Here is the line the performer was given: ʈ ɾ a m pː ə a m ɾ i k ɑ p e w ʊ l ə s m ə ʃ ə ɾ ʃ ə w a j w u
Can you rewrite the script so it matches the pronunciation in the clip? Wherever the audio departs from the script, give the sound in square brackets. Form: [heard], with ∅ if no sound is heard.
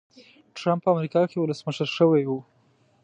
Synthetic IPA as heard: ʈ ɾ a m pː ə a m ɾ i k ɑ [k] e w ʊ l ə s m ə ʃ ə ɾ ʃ ə w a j w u